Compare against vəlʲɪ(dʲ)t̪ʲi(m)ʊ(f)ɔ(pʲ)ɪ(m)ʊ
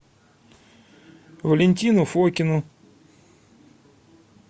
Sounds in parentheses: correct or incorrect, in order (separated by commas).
incorrect, incorrect, correct, incorrect, incorrect